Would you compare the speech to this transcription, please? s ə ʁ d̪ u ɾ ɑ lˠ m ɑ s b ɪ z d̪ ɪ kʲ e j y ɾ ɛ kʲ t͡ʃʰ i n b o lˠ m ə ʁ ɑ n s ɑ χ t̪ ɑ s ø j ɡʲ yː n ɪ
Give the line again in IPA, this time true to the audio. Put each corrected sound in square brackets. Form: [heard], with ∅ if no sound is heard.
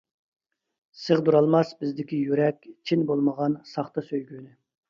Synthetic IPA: s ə ʁ d̪ u ɾ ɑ lˠ m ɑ s b ɪ z d̪ ɪ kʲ [i] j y ɾ ɛ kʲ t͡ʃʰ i n b o lˠ m ə ʁ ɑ n s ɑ χ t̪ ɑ s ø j ɡʲ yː n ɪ